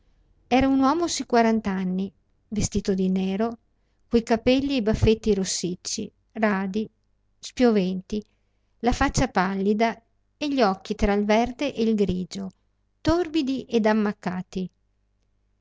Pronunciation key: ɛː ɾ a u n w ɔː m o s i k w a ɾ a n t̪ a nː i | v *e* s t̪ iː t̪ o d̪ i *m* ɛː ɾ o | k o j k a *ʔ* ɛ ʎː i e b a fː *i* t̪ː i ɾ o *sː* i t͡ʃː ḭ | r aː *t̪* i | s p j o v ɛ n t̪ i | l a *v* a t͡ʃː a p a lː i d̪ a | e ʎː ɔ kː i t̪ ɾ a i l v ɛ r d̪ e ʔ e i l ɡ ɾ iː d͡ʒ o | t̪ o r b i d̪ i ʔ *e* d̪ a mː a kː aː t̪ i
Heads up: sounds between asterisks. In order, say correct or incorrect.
correct, incorrect, incorrect, incorrect, correct, incorrect, incorrect, correct

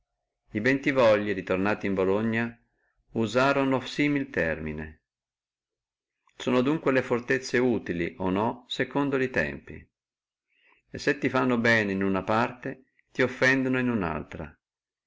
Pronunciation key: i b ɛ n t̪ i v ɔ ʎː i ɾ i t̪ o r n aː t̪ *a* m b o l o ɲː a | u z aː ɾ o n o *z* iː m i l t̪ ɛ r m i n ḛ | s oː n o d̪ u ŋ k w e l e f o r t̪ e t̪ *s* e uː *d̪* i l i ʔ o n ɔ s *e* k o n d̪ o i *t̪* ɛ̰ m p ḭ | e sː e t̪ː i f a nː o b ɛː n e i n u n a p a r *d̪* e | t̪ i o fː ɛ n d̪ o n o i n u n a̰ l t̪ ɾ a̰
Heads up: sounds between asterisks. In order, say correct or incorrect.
incorrect, incorrect, incorrect, incorrect, correct, correct, incorrect

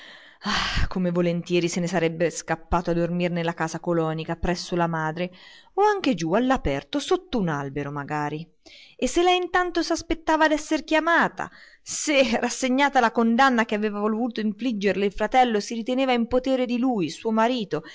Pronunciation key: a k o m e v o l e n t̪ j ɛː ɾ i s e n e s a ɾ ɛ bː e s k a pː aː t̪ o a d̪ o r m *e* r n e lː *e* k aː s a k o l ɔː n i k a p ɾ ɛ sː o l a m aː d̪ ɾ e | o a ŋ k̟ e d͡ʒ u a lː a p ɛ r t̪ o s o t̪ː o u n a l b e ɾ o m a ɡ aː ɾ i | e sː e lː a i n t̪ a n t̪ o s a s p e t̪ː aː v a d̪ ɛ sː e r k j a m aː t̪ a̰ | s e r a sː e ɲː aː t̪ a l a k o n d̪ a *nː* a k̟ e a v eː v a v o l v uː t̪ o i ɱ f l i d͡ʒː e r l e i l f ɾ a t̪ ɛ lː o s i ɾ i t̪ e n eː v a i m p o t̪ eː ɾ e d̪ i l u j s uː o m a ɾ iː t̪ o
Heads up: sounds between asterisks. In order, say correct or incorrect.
incorrect, incorrect, correct

